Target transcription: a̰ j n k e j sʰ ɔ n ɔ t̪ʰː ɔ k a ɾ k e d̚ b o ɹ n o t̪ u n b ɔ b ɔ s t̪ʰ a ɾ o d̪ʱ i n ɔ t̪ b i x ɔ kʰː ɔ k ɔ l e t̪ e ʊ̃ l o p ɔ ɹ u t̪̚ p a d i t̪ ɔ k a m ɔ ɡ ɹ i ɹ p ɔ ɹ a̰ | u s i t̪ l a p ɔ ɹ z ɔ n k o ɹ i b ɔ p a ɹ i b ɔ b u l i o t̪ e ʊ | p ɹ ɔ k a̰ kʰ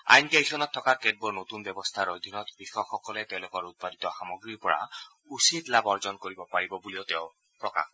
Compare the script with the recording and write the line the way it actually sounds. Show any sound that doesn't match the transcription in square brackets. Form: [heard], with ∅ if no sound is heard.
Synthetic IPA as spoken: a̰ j n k e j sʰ ɔ n ɔ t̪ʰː ɔ k a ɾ k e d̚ b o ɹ n o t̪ u n b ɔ b ɔ s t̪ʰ a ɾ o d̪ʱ i n ɔ t̪ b i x ɔ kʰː ɔ k ɔ l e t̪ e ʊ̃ l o [k] ɔ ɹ u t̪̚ p a d i t̪ ɔ [x] a m ɔ ɡ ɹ i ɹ p ɔ ɹ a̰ | u s i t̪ l a [b] ɔ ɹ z ɔ n k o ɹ i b ɔ p a ɹ i b ɔ b u l i o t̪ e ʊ | p ɹ ɔ k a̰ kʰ